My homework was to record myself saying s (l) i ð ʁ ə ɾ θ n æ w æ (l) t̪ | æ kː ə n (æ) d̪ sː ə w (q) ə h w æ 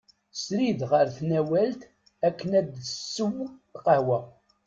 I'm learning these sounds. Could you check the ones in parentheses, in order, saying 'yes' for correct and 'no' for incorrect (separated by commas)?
no, yes, yes, yes